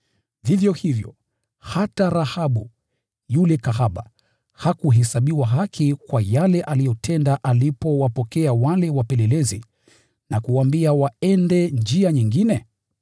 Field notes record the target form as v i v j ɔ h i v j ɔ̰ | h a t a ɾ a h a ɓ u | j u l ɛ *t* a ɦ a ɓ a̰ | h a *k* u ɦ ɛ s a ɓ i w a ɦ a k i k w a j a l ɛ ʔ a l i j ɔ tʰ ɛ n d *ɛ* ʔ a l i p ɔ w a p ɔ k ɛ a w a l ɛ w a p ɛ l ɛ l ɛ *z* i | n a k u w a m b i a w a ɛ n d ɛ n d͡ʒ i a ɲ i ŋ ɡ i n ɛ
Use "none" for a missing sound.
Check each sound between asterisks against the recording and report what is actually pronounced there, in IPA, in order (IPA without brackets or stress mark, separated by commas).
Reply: k, k, a, z